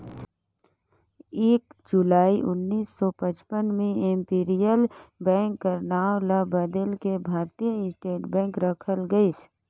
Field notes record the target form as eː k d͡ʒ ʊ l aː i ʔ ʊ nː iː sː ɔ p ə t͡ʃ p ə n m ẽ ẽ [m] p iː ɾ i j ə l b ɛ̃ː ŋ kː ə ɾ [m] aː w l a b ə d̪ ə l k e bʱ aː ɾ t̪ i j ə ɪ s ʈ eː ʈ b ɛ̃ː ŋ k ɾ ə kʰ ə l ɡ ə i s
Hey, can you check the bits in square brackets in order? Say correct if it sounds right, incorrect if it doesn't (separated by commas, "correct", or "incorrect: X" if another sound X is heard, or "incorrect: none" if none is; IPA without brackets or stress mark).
correct, incorrect: n